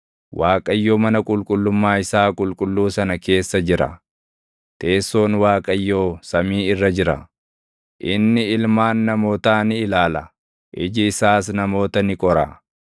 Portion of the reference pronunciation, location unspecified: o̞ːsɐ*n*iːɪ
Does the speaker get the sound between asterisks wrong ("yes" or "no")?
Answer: yes